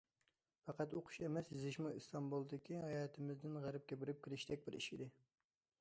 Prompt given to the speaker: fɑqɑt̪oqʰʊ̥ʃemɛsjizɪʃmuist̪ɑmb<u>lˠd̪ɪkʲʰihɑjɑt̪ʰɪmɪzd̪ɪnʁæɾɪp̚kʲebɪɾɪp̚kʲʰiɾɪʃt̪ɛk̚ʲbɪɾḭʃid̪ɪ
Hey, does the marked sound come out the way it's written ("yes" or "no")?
yes